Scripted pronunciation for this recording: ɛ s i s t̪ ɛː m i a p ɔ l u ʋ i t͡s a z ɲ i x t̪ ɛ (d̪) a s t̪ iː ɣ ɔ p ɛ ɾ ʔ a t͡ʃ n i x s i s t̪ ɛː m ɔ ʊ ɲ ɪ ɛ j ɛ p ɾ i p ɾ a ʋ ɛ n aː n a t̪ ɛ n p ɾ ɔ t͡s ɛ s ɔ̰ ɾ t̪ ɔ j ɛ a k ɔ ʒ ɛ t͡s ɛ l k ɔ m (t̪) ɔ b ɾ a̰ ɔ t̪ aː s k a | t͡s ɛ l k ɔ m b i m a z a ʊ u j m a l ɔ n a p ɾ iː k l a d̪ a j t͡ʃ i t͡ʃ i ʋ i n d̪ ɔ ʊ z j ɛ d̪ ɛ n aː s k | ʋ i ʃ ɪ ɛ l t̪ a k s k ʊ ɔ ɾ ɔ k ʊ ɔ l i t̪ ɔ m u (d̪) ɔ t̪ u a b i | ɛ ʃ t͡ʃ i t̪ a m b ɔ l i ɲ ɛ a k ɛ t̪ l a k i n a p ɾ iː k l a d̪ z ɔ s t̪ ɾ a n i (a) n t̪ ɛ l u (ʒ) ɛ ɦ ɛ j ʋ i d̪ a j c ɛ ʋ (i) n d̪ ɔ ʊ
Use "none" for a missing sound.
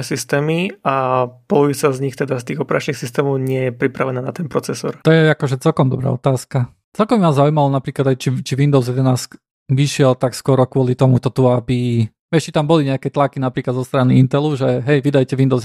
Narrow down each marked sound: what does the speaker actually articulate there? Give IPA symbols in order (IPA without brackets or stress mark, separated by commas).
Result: d̪, d̪, t̪, i, ʒ, i